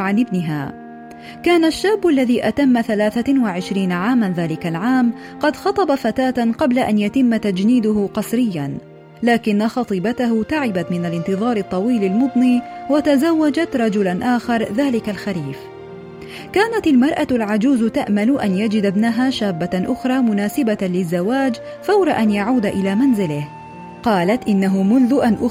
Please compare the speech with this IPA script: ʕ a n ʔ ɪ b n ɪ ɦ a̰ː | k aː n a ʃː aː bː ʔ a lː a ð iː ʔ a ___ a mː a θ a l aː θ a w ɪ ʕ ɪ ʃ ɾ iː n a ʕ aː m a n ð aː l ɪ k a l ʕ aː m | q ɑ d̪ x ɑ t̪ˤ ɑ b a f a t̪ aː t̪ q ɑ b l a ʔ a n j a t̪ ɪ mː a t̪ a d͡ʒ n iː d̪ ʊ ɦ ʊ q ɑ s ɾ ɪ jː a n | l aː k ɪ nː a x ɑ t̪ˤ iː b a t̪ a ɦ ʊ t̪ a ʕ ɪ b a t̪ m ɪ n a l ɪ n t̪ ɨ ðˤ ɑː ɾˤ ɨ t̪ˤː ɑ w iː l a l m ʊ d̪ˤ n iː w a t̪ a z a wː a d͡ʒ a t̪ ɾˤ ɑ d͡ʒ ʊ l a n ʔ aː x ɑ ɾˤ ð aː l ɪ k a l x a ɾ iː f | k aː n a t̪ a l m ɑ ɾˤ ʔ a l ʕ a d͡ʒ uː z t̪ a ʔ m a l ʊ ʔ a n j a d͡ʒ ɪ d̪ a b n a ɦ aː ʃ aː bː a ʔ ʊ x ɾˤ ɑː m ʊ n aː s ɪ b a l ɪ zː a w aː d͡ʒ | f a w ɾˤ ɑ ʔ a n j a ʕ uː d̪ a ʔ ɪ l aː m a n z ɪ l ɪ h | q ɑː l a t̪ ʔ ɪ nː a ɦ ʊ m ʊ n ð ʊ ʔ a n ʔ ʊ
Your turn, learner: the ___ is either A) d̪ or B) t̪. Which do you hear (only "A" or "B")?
B